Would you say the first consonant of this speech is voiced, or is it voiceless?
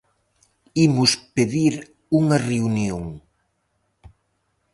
voiced